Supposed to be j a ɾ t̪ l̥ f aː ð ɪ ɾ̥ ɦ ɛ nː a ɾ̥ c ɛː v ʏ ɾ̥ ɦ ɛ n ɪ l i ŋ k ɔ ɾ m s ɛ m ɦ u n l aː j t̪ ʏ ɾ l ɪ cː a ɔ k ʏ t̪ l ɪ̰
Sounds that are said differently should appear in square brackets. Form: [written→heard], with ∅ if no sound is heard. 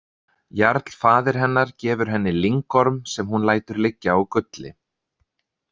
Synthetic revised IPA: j a ɾ t̪ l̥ f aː ð ɪ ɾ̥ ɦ ɛ nː a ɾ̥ c ɛː v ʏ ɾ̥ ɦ ɛ [n→nː] ɪ l i ŋ k ɔ ɾ m s ɛ m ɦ u n l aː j t̪ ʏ ɾ l ɪ cː a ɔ k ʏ t̪ l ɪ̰